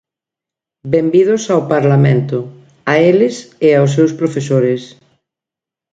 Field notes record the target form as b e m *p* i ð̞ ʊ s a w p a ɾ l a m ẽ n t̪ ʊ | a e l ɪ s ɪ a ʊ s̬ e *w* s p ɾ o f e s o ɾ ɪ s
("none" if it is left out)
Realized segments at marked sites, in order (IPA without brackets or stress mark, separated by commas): b, w